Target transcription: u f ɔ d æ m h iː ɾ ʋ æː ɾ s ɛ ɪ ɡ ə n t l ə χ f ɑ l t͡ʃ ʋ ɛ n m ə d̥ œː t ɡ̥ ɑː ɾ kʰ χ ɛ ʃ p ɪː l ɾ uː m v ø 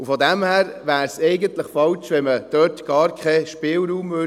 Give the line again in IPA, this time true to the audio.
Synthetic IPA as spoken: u f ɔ d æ m h æː ɾ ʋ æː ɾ s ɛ ɪ ɡ ə n t l ə χ f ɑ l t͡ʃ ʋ ɛ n m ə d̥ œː t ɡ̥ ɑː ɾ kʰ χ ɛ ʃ p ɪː l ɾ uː m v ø